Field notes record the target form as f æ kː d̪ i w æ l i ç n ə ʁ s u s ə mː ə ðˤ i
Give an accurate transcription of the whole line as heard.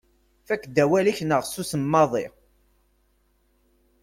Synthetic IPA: f æ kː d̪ æ w æ l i ç n ə ʁ s u s ə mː ɑ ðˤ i